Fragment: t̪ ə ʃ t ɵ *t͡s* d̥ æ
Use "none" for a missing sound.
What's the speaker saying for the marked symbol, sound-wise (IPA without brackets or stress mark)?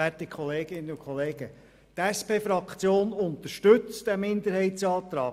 t͡s